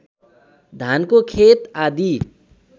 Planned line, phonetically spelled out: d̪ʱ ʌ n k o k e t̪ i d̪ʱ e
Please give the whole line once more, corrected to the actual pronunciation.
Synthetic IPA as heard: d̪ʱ a n k o kʰ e t̪ a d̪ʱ i